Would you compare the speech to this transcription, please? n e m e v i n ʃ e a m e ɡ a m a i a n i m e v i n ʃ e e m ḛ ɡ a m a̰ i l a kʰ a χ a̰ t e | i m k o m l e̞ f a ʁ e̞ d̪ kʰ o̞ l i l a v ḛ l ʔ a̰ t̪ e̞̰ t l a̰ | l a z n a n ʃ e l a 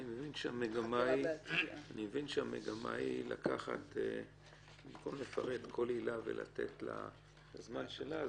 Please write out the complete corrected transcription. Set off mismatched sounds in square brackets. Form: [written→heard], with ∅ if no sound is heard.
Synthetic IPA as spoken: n [e→i] m e v i n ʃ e a m e ɡ a m a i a n i m e v i n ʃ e [e→a] m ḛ ɡ a m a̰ i l a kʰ a χ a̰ t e | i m k o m l e̞ f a ʁ e̞ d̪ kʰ o̞ l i l a v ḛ l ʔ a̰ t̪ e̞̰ t l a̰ | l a z [n→m] a n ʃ e l a

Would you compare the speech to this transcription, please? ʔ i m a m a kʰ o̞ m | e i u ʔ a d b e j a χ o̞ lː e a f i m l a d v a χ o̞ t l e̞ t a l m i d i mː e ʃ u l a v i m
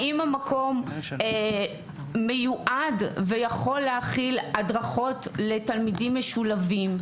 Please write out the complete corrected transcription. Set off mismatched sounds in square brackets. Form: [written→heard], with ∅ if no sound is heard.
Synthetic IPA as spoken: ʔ i m a m a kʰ o̞ m | e [i→j] u ʔ a d [b→v] e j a χ o̞ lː e a [f→χ] i [m→∅] l a d [v→ʁ] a χ o̞ t l e̞ t a l m i d i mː e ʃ u l a v i m

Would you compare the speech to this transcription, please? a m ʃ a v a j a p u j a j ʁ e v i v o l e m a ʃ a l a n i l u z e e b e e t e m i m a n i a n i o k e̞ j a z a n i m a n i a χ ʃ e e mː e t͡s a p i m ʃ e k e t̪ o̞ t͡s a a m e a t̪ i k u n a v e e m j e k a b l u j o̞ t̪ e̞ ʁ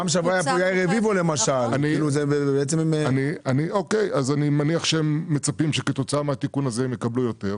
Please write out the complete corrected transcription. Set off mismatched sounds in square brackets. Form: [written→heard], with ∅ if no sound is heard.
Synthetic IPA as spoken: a m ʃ a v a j a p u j a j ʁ e v i v o l e m a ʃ a l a n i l u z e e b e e [t→t͡s] e m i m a n i a n i o k e̞ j a z a n i m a n i a χ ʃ e e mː e t͡s a p i m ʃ e k e t̪ o̞ t͡s a a m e a t̪ i k u n a [v→z] e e m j e k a b l u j o̞ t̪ e̞ ʁ

